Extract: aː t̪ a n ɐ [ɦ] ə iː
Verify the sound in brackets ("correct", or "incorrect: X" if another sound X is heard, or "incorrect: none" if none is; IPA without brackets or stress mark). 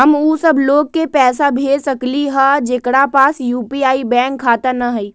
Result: correct